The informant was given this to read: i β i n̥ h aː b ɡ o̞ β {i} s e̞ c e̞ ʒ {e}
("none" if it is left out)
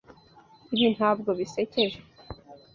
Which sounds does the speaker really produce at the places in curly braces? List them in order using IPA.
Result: i, e

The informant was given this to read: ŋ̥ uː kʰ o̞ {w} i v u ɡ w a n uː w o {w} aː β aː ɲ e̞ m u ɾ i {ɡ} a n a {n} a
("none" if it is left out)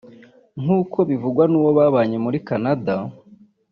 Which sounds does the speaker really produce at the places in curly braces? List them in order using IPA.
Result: β, β, k, d

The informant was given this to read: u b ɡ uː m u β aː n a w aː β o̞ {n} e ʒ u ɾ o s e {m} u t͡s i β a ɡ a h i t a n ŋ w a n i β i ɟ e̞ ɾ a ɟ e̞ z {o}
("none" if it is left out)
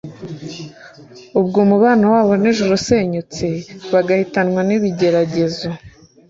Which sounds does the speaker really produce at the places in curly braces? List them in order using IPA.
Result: n, ɲ, o

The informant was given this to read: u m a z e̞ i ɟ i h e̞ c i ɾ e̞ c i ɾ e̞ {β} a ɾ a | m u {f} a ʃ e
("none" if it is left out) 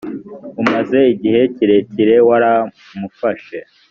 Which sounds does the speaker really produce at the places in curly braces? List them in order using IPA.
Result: w, f

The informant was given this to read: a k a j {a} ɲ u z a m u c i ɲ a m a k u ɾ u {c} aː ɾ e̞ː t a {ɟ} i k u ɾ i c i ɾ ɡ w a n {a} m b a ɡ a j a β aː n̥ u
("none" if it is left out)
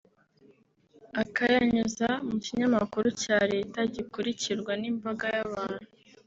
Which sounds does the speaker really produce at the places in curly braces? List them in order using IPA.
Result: a, c, ɟ, i

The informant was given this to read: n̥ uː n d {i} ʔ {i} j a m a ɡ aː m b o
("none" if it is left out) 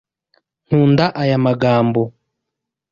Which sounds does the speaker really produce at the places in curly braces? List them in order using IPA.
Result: a, a

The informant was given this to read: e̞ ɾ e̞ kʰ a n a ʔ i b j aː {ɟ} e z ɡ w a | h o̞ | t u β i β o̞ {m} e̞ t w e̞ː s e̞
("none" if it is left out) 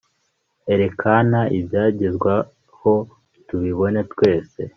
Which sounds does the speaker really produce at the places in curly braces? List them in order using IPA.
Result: ɟ, n

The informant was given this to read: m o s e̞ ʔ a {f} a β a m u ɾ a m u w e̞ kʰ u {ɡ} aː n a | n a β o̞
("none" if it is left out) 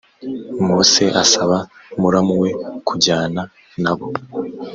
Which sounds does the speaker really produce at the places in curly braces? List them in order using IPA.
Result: s, ɟ

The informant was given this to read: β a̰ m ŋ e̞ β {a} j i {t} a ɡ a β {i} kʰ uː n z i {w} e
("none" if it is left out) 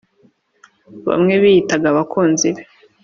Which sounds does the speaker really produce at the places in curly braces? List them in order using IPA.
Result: i, t, a, β

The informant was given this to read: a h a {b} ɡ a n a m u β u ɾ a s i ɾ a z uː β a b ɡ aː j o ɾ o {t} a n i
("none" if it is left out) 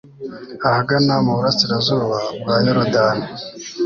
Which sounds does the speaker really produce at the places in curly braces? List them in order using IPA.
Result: none, d

